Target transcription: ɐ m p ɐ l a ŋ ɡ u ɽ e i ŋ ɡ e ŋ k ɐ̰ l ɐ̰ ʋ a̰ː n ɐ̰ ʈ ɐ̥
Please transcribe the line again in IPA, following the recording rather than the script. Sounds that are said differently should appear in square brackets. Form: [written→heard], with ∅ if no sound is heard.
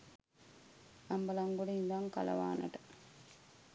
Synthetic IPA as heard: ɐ m [p→b] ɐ l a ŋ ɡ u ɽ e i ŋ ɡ [e→a] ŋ k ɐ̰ l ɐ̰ ʋ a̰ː n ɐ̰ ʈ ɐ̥